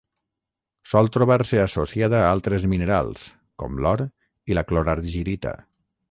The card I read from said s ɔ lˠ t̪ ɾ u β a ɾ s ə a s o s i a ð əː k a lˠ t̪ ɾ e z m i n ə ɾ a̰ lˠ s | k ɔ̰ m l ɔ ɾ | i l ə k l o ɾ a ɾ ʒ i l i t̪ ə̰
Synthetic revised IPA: s ɔ lˠ t̪ ɾ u β a ɾ s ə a s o s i a ð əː a lˠ t̪ ɾ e z m i n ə ɾ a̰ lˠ s | k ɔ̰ m l ɔ ɾ | i l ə k l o ɾ a ɾ ʒ i ɾ i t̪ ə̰